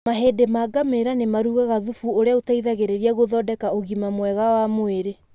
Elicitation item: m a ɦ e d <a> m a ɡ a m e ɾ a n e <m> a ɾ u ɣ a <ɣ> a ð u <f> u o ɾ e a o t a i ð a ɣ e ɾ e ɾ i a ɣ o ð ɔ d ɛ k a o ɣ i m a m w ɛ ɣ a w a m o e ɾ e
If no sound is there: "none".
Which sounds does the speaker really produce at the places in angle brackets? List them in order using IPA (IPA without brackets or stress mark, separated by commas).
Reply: e, m, ɣ, f